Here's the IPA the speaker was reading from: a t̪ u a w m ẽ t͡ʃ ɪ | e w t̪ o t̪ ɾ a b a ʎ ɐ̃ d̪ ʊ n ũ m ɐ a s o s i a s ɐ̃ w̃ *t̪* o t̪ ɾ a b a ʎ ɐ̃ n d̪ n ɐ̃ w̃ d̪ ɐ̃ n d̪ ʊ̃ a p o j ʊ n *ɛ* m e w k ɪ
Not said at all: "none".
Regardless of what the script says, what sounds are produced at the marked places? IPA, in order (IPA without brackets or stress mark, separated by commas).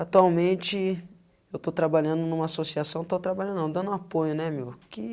t̪, ɛ